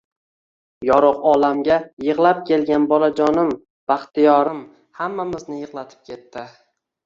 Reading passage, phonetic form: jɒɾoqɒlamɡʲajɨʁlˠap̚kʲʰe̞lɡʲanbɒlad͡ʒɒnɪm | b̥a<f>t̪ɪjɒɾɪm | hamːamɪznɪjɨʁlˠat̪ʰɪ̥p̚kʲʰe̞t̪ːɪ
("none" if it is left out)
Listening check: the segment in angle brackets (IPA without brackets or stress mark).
χ